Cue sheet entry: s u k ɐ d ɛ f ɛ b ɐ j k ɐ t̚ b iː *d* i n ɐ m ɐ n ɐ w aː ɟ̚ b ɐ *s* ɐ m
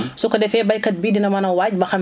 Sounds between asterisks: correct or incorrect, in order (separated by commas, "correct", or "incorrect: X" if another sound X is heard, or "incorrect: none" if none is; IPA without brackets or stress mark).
correct, incorrect: x